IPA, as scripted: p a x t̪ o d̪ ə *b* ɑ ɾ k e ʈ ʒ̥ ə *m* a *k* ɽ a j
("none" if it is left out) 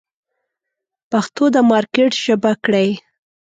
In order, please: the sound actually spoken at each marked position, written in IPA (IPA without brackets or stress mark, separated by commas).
m, b, k